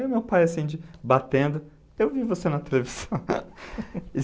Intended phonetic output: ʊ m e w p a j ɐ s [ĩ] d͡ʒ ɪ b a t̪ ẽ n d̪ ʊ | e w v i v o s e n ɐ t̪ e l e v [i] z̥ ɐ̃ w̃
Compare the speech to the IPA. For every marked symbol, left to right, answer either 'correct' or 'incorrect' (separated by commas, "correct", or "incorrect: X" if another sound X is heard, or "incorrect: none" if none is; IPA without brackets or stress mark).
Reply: correct, correct